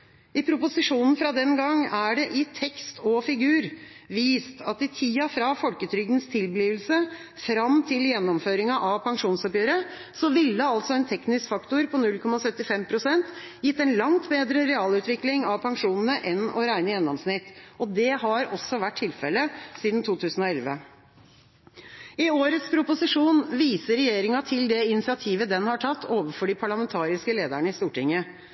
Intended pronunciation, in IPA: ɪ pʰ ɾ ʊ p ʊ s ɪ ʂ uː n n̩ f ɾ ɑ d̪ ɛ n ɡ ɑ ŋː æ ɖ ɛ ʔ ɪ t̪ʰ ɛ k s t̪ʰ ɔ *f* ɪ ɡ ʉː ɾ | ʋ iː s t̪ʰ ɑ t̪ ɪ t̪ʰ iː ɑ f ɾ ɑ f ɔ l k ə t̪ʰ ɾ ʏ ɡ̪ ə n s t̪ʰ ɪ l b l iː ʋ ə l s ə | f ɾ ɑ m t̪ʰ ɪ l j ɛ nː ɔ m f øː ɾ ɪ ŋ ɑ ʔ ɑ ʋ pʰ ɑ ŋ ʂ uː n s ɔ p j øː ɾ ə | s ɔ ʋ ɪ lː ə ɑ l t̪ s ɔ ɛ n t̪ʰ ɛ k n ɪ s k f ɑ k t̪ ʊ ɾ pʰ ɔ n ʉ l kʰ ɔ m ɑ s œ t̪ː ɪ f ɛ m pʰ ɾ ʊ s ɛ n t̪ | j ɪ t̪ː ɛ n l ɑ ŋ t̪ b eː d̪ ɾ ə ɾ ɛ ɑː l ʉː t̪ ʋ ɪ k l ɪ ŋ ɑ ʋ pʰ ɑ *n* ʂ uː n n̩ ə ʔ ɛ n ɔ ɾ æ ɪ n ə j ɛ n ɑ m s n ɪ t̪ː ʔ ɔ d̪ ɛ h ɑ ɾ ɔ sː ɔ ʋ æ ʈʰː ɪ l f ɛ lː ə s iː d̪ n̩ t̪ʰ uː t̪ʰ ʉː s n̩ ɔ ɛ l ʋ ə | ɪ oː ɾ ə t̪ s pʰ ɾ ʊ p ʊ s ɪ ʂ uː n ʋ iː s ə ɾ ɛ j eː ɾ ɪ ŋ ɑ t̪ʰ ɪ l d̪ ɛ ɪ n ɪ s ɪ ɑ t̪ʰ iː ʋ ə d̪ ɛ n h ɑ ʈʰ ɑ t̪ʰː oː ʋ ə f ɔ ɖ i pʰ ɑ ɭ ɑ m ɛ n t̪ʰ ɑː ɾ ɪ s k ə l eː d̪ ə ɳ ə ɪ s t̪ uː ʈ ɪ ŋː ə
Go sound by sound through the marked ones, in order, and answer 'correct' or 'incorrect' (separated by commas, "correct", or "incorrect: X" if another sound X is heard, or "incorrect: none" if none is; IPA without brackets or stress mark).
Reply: correct, incorrect: ŋ